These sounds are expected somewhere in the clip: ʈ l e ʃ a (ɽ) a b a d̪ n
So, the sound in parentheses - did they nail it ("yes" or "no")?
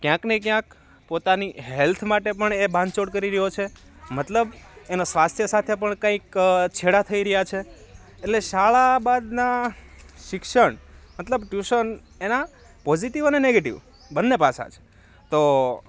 no